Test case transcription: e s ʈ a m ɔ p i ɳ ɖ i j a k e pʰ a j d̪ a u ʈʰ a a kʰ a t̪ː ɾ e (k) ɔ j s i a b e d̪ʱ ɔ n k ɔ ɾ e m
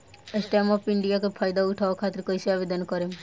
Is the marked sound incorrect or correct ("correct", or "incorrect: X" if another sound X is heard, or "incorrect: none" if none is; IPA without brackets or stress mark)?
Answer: correct